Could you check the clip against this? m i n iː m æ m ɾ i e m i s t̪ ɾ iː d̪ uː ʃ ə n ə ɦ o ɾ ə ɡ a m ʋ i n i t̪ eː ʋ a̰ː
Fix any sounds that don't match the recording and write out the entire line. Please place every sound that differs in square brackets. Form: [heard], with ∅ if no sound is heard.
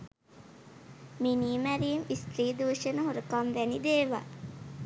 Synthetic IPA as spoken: m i n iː m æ [∅] ɾ i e m i s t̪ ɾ iː d̪ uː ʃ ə n ə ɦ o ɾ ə [k] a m ʋ [æ] n i [d̪] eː ʋ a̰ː